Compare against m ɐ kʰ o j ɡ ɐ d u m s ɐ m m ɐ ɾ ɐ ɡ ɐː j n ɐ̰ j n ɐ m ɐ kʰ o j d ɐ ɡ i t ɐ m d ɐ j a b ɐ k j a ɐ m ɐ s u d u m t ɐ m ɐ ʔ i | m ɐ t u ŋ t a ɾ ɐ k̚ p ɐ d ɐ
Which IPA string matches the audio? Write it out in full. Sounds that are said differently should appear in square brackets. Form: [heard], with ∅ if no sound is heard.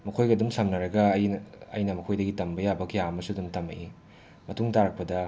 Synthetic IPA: m ɐ kʰ o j ɡ ɐ d u m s ɐ m [n] ɐ ɾ ɐ ɡ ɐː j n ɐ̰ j n ɐ m ɐ kʰ o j d ɐ ɡ i t ɐ m [b] ɐ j a b ɐ k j a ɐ m ɐ s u d u m t ɐ m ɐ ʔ i | m ɐ t u ŋ t a ɾ ɐ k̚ p ɐ d ɐ